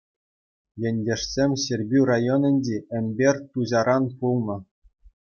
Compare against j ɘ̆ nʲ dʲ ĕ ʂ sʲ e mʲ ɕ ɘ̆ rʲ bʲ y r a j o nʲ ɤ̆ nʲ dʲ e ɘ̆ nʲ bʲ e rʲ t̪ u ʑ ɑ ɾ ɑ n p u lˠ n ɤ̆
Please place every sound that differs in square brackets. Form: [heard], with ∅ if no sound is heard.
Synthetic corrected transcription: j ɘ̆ nʲ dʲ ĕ ʂ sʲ e mʲ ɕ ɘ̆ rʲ bʲ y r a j o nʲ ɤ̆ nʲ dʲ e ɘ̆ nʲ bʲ e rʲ t̪ u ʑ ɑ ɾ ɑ n p u lˠ n ɤ̆

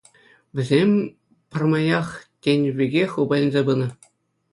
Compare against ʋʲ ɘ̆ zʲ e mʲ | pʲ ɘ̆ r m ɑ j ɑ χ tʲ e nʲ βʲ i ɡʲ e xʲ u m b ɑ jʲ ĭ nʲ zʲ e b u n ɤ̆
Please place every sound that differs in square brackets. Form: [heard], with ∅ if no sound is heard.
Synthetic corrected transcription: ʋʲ ɘ̆ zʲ e mʲ | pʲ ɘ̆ r m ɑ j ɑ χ tʲ e nʲ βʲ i ɡʲ e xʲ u [∅] b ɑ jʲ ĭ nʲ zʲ e b [ɯ] n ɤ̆

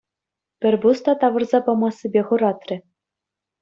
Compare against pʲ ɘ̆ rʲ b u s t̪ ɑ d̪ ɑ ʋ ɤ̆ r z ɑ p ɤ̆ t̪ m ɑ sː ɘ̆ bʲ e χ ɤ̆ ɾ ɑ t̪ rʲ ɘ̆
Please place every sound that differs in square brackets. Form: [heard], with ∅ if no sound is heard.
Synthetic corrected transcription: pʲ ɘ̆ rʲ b u s t̪ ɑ [t̪] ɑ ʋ ɤ̆ r z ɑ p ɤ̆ [∅] m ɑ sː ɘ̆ bʲ e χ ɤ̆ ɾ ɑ t̪ rʲ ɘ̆

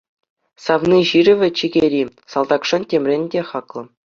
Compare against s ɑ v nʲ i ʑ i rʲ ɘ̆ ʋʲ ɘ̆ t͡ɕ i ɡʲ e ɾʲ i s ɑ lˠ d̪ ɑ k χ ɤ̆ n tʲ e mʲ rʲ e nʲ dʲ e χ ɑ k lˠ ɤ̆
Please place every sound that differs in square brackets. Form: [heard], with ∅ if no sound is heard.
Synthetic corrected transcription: s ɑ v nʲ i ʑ i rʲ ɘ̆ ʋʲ ɘ̆ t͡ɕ i ɡʲ e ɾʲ i s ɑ lˠ d̪ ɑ k [ʂ] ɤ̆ n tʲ e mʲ rʲ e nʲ dʲ e χ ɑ k lˠ ɤ̆

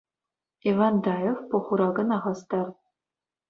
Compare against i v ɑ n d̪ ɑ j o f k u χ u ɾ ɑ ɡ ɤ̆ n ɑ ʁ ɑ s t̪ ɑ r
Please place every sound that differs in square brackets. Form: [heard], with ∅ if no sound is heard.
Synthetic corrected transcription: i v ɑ n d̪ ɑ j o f [p] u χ u ɾ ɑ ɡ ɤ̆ n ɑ ʁ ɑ s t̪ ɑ r

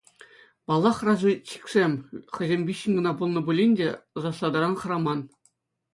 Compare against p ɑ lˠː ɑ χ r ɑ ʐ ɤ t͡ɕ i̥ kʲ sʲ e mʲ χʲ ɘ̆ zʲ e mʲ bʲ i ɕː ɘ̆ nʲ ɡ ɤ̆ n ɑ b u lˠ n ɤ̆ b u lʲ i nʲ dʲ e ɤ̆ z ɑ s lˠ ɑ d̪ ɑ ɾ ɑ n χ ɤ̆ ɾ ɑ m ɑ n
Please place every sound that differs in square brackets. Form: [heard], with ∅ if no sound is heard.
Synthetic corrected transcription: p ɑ lˠː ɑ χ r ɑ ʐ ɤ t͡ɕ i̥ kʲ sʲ e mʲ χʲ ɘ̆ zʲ e mʲ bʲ i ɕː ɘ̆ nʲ ɡ ɤ̆ n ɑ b u lˠ n ɤ̆ b u lʲ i nʲ dʲ e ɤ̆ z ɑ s lˠ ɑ d̪ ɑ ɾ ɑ n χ ɤ̆ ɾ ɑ m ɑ n

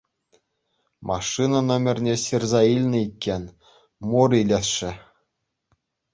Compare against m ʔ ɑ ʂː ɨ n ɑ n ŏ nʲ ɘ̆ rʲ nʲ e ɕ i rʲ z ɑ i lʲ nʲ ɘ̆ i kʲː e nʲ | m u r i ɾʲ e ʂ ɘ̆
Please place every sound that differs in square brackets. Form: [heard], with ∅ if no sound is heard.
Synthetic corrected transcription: m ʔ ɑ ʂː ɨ n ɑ n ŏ [mʲ] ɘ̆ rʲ nʲ e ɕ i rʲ z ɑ i lʲ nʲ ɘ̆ i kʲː e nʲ | m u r i [lʲ] e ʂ ɘ̆

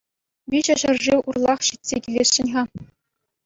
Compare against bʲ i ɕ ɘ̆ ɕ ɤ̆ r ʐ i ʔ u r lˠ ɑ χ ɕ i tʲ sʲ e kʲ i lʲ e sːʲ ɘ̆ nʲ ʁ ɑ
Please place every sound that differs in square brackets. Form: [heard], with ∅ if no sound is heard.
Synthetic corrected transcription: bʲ i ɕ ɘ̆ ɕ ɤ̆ r ʐ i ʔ u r lˠ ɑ χ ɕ i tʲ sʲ e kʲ i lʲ e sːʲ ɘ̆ nʲ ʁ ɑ

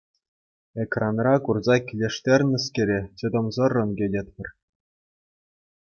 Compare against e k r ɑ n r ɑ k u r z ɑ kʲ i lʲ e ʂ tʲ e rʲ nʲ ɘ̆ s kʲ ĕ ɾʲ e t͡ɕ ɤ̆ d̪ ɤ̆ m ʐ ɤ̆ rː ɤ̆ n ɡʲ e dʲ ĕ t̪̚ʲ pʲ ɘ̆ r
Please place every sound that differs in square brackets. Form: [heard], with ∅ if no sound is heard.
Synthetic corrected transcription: e k r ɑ n r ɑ k u r z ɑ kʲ i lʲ e ʂ tʲ e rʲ nʲ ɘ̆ s kʲ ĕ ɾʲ e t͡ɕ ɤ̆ d̪ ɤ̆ m [z] ɤ̆ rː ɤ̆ n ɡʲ e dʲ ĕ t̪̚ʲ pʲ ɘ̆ r

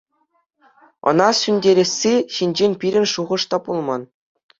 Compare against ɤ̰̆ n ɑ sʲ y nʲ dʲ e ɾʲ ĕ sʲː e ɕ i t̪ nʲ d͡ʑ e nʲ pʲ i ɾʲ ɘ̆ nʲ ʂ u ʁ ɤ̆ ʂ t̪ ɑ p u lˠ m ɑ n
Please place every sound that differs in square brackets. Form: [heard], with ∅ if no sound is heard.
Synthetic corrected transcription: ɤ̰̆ n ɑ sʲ y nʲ dʲ e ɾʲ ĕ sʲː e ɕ i [∅] nʲ d͡ʑ e nʲ pʲ i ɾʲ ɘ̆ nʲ ʂ u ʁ ɤ̆ ʂ t̪ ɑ p u lˠ m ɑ n

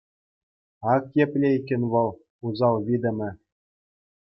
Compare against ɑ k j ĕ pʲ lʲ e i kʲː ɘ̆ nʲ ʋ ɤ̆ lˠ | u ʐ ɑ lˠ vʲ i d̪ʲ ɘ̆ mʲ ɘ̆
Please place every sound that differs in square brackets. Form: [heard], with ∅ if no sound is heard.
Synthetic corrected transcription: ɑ k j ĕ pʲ lʲ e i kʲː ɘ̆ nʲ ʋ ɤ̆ lˠ | u [z] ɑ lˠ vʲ i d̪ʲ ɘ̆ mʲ ɘ̆

